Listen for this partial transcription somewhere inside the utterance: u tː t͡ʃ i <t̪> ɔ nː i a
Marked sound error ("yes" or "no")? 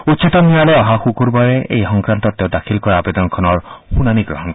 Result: no